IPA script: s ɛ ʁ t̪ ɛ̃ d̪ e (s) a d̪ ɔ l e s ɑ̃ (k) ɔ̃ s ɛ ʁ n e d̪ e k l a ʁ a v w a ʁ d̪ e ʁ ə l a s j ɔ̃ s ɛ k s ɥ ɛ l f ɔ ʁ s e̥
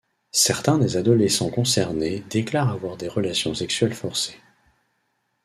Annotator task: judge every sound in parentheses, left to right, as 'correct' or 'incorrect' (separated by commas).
incorrect, correct